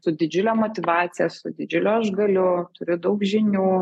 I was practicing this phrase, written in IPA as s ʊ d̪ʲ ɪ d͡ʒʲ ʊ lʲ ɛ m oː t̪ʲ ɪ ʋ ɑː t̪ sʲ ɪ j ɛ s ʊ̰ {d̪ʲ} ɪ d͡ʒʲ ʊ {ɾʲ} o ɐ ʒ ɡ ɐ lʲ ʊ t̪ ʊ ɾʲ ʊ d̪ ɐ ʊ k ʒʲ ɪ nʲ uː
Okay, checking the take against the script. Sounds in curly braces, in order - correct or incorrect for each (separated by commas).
correct, incorrect